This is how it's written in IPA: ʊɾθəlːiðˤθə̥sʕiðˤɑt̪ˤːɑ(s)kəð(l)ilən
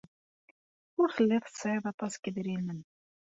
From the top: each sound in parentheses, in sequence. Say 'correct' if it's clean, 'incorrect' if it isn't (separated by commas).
correct, incorrect